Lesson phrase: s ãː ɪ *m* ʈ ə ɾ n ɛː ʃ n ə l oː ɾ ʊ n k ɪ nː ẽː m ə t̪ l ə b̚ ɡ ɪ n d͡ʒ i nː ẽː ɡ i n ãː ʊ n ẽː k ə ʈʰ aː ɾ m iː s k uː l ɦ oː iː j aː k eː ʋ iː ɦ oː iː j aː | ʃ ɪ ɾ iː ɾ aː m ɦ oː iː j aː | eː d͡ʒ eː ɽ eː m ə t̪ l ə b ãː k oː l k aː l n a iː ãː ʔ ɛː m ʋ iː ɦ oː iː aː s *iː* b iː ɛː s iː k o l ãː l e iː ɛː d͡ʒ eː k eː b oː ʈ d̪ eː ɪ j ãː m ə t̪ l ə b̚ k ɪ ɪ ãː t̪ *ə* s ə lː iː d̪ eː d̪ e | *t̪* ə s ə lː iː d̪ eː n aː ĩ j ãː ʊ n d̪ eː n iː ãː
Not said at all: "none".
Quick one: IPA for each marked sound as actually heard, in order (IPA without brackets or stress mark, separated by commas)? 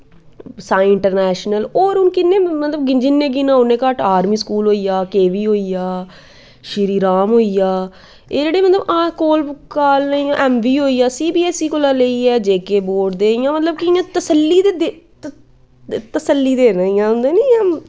ɳ, iː, ə, t̪